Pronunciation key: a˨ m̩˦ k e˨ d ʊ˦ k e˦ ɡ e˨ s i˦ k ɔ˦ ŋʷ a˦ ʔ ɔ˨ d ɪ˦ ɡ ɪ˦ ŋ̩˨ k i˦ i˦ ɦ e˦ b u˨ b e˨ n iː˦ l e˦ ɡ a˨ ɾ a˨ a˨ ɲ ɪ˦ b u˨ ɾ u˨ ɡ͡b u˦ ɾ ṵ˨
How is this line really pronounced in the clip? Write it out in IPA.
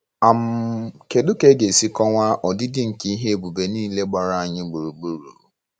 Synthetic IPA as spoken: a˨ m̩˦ k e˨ d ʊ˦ k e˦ ɡ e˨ s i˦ k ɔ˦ ŋʷ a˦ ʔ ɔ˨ d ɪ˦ d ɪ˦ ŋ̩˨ k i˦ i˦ ɦ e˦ b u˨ b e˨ n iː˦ l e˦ ɡ͡b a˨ ɾ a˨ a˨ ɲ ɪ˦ ɡ͡b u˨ ɾ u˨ ɡ͡b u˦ ɾ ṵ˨